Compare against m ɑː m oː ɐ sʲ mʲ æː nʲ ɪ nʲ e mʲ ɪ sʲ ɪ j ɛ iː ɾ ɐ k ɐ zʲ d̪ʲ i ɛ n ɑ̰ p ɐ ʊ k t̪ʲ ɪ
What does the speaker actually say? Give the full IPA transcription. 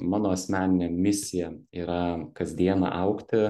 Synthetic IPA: m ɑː n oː ɐ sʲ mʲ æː nʲ ɪ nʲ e mʲ ɪ sʲ ɪ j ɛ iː ɾ ɐ k ɐ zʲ d̪ʲ i ɛ n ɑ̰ ʔ ɐ ʊ k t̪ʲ ɪ